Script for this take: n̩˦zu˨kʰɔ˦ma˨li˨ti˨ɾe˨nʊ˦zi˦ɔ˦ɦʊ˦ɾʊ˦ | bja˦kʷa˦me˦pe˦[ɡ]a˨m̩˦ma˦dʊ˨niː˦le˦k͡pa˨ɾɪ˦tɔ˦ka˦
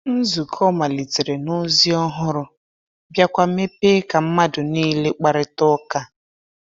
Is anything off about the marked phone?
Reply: yes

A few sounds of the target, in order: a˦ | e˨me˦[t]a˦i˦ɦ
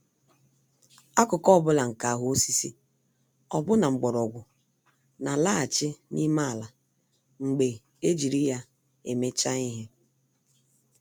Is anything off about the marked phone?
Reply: yes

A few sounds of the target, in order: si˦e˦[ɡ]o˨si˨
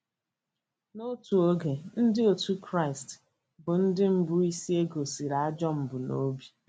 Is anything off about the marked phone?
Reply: no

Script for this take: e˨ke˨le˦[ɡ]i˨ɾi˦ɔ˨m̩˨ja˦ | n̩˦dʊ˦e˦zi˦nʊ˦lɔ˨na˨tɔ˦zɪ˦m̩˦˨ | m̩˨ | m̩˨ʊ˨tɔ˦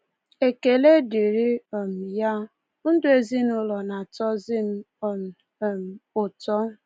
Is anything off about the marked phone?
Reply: yes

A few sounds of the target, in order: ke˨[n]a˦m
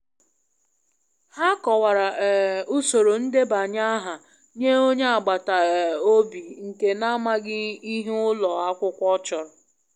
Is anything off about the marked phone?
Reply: no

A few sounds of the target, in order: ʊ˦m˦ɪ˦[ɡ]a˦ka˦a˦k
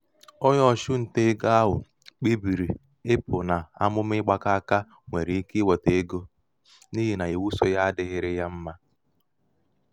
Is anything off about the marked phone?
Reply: yes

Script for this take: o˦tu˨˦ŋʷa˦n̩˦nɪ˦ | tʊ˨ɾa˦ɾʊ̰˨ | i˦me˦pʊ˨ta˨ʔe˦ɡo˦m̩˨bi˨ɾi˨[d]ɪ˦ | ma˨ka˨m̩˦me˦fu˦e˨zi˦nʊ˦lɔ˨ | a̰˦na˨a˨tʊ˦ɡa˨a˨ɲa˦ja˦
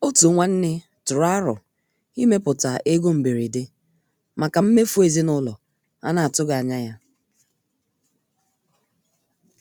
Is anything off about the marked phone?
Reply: no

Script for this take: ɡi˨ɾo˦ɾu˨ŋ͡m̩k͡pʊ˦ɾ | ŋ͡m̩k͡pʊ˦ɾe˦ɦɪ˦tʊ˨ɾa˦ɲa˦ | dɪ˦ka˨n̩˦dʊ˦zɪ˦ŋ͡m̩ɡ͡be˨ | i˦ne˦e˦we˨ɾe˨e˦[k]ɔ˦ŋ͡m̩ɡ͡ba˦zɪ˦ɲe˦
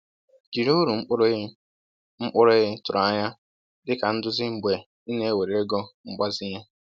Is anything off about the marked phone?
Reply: yes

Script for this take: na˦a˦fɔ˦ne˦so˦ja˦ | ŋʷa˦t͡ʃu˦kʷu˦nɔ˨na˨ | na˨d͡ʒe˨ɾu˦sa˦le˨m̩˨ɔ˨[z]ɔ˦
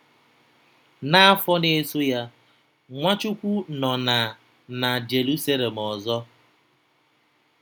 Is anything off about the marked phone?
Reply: no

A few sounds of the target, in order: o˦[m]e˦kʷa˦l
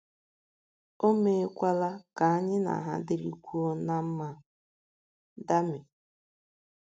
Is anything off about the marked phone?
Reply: no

